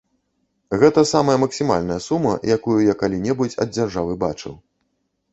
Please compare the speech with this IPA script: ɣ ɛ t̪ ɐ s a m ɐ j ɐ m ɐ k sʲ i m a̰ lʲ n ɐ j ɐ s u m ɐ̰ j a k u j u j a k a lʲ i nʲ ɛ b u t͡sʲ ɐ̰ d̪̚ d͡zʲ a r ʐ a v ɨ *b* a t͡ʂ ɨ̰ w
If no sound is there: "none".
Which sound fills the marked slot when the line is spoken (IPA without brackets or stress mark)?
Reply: b